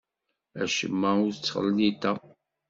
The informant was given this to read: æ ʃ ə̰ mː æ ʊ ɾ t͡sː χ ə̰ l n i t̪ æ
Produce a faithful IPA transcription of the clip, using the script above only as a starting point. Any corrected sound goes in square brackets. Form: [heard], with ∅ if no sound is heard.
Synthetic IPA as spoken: æ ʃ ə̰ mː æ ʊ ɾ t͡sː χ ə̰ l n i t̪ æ